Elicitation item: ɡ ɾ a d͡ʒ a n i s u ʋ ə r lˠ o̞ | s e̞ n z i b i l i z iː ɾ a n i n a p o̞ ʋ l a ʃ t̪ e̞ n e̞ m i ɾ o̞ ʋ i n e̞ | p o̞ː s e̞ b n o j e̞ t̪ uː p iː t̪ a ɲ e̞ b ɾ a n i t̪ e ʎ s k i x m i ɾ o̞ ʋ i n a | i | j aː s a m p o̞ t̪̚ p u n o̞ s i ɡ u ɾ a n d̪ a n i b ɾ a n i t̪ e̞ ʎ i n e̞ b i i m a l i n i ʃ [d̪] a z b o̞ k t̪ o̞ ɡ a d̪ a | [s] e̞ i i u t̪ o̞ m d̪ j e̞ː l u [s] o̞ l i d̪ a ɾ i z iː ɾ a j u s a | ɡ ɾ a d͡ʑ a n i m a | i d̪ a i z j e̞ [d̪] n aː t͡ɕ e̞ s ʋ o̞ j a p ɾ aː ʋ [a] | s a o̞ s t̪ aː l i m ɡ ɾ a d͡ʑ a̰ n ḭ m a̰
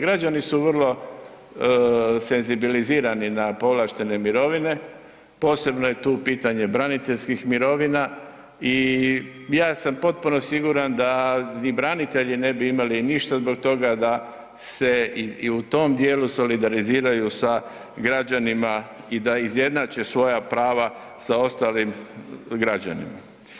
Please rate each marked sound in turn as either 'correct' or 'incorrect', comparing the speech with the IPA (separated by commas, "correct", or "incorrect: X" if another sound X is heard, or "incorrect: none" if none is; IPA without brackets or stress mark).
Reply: incorrect: t̪, correct, correct, correct, correct